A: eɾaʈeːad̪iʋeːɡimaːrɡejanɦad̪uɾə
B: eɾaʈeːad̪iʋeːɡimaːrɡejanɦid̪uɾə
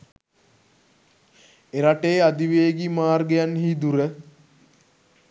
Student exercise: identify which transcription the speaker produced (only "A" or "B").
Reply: B